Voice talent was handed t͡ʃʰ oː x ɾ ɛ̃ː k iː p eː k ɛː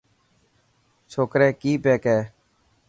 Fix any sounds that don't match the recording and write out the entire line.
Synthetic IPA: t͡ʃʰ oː k ɾ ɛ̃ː k iː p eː k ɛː

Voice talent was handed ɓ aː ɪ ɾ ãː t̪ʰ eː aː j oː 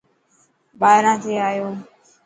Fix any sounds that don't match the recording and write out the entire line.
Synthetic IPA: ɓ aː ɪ ɾ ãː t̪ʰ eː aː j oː

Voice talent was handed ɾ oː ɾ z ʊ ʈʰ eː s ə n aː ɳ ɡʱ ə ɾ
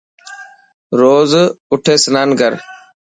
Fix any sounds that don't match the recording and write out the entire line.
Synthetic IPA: ɾ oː z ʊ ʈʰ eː s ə n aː n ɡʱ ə ɾ

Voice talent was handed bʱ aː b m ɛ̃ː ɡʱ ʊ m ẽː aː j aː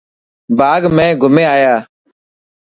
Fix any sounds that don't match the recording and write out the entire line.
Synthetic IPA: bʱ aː ɡ m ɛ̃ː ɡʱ ʊ m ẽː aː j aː

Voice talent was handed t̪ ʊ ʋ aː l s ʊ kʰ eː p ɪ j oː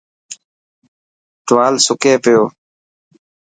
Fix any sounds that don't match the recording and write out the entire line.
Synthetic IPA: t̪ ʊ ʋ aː l s ʊ k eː p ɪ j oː

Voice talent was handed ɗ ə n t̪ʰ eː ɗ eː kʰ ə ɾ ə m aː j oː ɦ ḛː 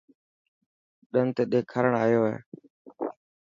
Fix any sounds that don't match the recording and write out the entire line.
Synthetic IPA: ɗ ə n t̪ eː ɗ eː kʰ ə ɾ ə ɳ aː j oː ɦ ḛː

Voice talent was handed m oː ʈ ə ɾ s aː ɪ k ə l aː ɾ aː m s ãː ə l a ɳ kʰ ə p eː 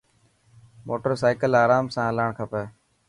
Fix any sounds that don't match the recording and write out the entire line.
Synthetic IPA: m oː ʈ ə ɾ s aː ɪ k ə l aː ɾ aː m s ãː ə l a ɳ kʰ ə p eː

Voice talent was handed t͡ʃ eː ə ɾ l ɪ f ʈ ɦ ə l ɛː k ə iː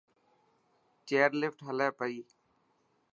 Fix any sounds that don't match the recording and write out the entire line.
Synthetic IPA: t͡ʃ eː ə ɾ l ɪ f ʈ ɦ ə l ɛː p ə iː

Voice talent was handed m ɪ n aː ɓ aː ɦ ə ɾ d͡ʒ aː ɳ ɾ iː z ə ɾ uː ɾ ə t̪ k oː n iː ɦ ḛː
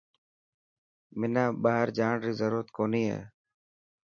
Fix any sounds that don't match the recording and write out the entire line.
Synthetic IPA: m ɪ n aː ɓ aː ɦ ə ɾ d͡ʒ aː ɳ ɾ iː z ə ɾ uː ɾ ə t̪ k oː n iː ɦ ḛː

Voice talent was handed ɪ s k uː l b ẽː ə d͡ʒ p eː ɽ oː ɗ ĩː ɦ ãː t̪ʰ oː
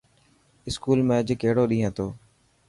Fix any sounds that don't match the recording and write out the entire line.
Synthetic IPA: ɪ s k uː l m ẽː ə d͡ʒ k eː ɽ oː ɗ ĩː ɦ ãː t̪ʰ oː

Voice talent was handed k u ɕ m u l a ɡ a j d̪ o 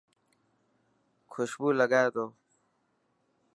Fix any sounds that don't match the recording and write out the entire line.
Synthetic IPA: kʰ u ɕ b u l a ɡ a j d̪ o

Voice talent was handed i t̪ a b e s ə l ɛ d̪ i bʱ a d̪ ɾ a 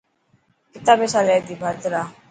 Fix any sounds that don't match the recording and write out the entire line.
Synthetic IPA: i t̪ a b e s a l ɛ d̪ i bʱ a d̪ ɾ a

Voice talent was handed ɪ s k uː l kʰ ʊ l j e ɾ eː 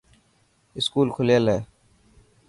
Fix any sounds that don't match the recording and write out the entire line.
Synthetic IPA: ɪ s k uː l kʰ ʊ l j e l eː

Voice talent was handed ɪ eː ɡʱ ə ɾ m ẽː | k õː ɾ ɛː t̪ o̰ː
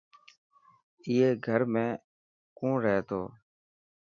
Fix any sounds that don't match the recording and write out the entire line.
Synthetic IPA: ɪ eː ɡʱ ə ɾ m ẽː | k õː ɾ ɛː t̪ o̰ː

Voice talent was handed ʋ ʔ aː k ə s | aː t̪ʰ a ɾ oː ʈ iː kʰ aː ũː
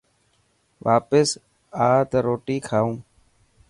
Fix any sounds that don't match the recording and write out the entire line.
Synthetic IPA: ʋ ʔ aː p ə s | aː t̪ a ɾ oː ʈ iː kʰ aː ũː

